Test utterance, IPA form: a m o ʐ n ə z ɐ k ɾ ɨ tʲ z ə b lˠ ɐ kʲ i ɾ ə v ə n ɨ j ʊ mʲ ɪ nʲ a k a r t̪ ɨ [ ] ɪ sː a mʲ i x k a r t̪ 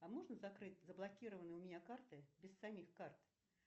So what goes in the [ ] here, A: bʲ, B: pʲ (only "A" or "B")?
A